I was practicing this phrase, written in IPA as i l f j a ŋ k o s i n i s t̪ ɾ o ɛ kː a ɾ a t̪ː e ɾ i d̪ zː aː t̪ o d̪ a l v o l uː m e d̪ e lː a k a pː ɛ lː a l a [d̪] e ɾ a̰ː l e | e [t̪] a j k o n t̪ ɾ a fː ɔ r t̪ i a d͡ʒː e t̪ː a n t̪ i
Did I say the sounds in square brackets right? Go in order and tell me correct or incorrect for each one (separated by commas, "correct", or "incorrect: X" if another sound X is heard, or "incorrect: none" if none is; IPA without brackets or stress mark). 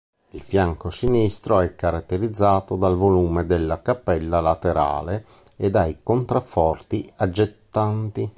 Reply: incorrect: t̪, incorrect: d̪